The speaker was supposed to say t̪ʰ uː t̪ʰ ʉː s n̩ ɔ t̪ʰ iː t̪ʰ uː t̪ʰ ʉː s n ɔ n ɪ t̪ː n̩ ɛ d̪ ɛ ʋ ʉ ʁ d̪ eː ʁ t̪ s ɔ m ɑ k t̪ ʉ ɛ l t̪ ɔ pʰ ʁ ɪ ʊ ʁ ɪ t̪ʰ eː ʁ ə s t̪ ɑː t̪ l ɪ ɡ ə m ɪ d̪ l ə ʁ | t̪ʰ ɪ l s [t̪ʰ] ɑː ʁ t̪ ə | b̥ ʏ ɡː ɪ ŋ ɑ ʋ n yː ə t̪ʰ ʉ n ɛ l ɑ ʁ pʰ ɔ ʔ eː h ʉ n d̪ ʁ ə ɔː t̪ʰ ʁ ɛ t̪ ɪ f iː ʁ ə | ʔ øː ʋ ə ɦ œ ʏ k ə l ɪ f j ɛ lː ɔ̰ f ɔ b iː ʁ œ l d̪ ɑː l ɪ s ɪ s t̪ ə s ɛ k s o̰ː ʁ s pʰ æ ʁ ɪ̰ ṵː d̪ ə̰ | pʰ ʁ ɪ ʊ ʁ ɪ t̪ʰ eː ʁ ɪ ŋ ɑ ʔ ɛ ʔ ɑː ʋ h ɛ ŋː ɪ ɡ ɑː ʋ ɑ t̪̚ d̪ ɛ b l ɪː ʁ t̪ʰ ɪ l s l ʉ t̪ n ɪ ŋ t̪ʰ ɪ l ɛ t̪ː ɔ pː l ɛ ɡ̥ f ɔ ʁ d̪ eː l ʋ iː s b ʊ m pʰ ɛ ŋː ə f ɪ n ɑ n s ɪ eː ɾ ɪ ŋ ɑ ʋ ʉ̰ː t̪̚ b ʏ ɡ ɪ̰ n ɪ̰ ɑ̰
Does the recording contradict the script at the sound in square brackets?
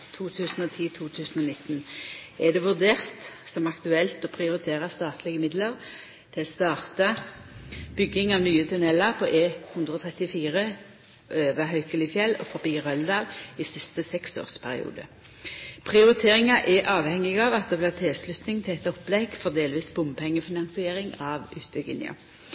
yes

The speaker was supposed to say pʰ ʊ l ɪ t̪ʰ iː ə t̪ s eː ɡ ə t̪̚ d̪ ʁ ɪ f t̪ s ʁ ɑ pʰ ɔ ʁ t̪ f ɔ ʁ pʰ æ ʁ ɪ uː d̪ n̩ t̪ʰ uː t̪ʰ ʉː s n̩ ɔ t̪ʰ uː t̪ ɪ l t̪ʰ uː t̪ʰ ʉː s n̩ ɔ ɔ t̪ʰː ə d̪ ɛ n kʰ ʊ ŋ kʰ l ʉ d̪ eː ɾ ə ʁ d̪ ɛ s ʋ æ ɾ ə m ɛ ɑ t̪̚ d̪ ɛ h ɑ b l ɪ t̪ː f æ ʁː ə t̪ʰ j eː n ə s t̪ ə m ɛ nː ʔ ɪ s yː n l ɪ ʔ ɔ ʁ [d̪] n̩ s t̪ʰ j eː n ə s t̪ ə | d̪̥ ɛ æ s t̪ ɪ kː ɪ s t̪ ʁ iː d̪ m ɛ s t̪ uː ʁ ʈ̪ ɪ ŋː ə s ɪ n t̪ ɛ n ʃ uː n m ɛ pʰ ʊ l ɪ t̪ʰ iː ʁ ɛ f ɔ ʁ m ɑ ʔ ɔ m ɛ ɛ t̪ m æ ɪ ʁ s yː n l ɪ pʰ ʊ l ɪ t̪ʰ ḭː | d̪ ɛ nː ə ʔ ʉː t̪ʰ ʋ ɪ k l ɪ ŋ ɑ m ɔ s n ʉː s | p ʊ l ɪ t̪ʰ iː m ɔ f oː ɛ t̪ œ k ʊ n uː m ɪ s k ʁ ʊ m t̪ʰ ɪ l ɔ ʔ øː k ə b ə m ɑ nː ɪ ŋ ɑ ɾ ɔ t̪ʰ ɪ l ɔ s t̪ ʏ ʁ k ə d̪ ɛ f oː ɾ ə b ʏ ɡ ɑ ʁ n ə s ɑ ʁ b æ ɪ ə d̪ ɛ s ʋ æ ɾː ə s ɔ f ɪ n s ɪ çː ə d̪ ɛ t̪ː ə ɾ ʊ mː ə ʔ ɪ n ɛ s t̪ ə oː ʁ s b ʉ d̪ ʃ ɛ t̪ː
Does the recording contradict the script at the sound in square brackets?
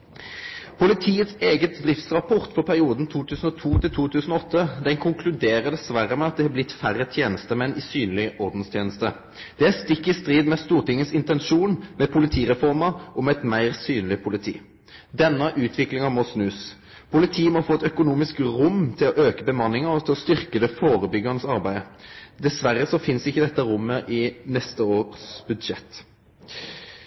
no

